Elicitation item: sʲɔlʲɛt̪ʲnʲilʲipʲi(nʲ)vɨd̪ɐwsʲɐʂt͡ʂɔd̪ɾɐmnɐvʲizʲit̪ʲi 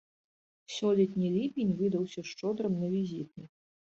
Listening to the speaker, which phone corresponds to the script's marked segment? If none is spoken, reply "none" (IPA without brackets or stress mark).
nʲ